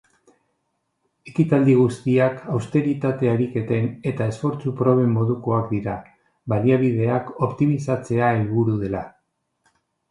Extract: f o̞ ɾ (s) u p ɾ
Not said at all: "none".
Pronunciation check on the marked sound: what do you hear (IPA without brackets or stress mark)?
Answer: t͡s